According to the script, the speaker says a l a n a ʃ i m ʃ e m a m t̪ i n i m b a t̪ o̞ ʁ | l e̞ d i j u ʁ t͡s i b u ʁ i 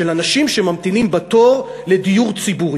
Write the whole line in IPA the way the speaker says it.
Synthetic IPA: e l a n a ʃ i m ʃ e m a m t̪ i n i m b a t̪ o̞ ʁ | l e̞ d i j u ʁ t͡s i b u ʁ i